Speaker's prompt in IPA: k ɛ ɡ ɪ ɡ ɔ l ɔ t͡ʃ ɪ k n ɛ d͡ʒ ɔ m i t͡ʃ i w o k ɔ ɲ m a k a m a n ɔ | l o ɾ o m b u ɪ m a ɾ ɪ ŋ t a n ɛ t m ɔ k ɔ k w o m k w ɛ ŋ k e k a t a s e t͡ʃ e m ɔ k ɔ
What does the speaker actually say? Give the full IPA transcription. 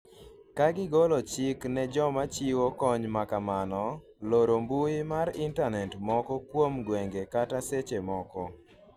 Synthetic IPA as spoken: k a ɡ ɪ ɡ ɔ l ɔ t͡ʃ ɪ k n ɛ d͡ʒ ɔ m a t͡ʃ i w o k ɔ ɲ m a k a m a n ɔ | l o ɾ o m b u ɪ m a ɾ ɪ n t a n ɛ t m ɔ k ɔ k w o m ɡ w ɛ ŋ ɡ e k a t a s e t͡ʃ e m ɔ k ɔ